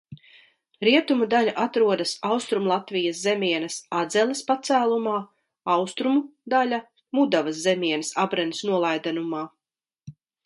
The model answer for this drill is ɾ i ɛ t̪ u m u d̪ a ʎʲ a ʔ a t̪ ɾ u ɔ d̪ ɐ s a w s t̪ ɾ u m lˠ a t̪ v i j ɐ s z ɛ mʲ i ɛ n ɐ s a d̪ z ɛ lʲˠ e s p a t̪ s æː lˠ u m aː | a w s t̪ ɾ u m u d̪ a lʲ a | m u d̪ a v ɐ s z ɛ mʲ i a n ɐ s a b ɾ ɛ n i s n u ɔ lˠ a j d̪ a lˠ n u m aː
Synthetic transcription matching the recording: ɾ i ɛ t̪ u m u d̪ a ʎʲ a ʔ a t̪ ɾ u ɔ d̪ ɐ s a w s t̪ ɾ u m lˠ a t̪ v i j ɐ s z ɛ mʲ i ɛ n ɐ s a d̪ z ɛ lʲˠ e s p a t̪ s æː lˠ u m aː | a w s t̪ ɾ u m u d̪ a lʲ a | m u d̪ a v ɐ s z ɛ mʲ i ɛ n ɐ s a b ɾ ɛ n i s n u ɔ lˠ a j d̪ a n u m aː